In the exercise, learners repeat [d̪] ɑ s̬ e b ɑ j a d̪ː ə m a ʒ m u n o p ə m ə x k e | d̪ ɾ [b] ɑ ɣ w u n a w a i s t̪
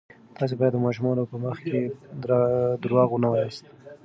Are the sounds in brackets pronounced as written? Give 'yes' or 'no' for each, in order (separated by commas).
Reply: no, no